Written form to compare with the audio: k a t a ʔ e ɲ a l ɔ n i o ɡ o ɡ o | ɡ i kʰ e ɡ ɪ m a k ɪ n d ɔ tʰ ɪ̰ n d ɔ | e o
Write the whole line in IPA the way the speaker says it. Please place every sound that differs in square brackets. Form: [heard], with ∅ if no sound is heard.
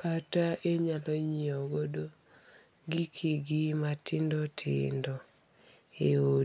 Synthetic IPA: k a t a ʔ e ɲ a l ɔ [ɲ] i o ɡ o [d] o | ɡ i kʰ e ɡ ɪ m a [t] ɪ n d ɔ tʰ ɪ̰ n d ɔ | e o

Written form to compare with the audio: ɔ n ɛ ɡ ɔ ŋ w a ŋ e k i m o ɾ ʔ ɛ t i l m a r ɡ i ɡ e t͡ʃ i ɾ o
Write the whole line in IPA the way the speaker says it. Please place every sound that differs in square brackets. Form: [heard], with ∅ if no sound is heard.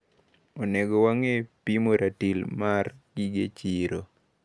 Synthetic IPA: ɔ n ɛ ɡ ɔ [∅] w a ŋ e [p] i m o ɾ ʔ [a] t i l m a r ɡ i ɡ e t͡ʃ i ɾ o

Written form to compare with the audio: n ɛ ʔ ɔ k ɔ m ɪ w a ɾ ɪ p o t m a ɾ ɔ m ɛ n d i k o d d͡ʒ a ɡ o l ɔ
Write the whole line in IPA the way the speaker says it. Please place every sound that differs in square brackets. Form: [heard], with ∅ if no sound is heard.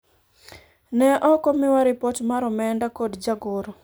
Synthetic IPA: n ɛ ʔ ɔ k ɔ m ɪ w a ɾ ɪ p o t m a ɾ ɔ m ɛ n d [a] k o d d͡ʒ a ɡ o [ɾ] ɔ

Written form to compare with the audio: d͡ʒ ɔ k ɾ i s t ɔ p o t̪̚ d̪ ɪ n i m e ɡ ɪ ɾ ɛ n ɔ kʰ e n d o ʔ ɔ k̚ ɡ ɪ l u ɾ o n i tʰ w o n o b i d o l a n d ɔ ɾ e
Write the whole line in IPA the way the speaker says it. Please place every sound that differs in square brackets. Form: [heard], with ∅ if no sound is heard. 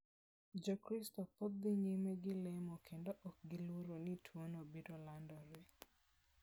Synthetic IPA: d͡ʒ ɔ k ɾ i s t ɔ p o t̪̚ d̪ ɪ [ɲ] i m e ɡ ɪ [l] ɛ [m] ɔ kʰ e n d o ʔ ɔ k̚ ɡ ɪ l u ɾ o n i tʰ w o n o b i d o l a n d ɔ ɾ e

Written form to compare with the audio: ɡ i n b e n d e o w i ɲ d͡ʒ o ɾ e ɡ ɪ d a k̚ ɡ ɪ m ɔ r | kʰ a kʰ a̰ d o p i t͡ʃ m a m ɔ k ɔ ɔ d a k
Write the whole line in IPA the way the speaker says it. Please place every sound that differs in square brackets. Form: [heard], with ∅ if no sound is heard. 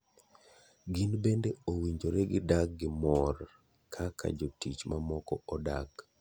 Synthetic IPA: ɡ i n b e n d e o w i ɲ d͡ʒ o ɾ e ɡ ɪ d a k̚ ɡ ɪ m ɔ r | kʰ a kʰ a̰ [d͡ʒ] o [t] i t͡ʃ m a m ɔ k ɔ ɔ d a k

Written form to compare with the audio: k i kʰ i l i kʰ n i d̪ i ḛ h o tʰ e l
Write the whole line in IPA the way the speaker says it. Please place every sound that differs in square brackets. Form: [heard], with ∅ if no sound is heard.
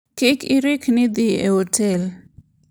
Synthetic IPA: k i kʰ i [ɾ] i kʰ n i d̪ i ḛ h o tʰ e l

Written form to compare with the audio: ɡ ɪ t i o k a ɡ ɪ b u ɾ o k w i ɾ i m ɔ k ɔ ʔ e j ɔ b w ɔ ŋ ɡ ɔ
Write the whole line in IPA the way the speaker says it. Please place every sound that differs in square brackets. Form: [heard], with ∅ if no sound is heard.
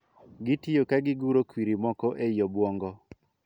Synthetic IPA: ɡ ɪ t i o k a ɡ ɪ [ɡ] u ɾ o k w i ɾ i m ɔ k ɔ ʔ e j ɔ b w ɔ ŋ ɡ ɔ

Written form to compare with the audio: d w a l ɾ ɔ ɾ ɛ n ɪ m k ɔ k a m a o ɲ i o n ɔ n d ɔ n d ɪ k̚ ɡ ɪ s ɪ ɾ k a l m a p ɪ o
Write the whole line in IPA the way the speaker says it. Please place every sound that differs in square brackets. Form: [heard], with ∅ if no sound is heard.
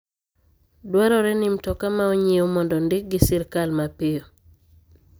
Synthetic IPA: d w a [∅] ɾ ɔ ɾ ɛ n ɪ m [t] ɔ k a m a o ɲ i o [m] ɔ n d ɔ n d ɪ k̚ ɡ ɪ s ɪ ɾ k a l m a p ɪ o

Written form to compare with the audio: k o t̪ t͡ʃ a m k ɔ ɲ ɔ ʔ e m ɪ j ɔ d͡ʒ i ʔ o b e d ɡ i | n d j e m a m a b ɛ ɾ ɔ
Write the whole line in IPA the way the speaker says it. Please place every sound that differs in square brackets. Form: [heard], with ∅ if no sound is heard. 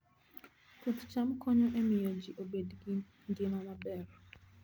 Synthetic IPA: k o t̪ t͡ʃ a m k ɔ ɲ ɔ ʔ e m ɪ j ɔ d͡ʒ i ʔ o b e d ɡ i | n d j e m a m a b ɛ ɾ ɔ

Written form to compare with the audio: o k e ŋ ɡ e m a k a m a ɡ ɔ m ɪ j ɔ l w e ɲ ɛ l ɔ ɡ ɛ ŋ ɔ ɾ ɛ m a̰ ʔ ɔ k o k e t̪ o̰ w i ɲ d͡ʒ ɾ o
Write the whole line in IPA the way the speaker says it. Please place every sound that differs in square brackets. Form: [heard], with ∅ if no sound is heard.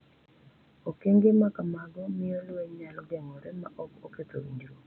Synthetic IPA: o k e ŋ ɡ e m a k a m a ɡ ɔ m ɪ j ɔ l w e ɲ [a] l ɔ ɡ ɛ ŋ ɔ ɾ ɛ m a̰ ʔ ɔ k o k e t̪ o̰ w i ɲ d͡ʒ ɾ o

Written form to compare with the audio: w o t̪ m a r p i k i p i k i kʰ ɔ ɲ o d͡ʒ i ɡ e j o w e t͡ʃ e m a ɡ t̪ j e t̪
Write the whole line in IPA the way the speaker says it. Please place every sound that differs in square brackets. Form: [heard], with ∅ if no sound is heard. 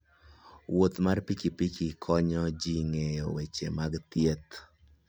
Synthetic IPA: w o t̪ m a r p i k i p i k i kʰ ɔ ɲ [ɔ] d͡ʒ i [ŋ] e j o w e t͡ʃ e m a ɡ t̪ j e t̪

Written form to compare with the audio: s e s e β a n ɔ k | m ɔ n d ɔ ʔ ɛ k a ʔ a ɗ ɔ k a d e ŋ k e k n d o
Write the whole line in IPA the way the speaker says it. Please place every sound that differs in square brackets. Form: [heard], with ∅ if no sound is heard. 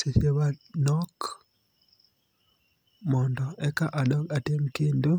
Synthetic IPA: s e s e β a n ɔ k | m ɔ n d ɔ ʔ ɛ k a ʔ a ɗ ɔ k a [t] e [m] k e [∅] n d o

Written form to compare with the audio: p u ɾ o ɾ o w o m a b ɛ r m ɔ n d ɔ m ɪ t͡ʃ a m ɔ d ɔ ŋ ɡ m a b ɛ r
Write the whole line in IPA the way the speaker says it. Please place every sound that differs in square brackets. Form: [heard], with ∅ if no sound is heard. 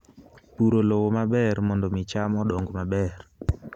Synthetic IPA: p u ɾ o [l] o w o m a b ɛ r m ɔ n d ɔ m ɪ t͡ʃ a m ɔ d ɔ ŋ ɡ m a b ɛ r

